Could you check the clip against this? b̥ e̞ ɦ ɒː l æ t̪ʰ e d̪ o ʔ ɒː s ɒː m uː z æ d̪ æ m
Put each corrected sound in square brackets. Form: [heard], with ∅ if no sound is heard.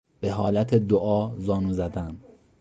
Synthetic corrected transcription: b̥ e̞ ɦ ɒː l æ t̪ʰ e d̪ o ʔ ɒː [z] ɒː [n] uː z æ d̪ æ [n]